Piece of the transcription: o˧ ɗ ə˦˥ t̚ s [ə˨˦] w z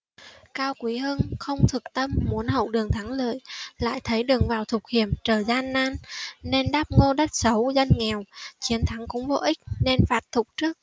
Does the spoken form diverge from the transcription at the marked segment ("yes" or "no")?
no